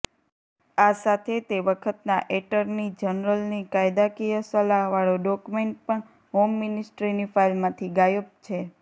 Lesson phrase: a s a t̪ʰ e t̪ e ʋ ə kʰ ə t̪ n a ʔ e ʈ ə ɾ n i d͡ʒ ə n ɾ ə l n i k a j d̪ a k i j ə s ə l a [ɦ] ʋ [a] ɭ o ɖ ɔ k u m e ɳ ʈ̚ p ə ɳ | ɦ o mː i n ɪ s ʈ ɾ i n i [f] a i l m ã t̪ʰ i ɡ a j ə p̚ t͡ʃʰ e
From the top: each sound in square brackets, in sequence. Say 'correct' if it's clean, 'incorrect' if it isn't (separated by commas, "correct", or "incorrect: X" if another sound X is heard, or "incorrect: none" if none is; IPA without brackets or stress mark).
correct, correct, correct